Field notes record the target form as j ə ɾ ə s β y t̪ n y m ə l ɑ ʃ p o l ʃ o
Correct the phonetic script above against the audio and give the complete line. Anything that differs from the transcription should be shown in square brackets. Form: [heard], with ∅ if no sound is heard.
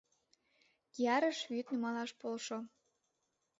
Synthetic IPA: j [ɑ] ɾ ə [ʃ] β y t̪ n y m [ɑ] l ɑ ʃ p o l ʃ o